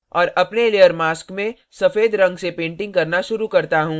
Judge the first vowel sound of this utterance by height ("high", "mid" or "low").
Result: mid